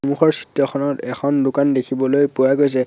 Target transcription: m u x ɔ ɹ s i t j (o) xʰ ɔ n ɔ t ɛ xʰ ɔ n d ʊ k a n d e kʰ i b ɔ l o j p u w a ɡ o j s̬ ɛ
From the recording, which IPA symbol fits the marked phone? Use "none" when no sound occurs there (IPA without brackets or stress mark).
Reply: ɔ